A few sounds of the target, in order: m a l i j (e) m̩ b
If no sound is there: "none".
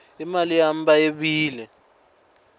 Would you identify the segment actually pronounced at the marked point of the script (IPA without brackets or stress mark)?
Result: a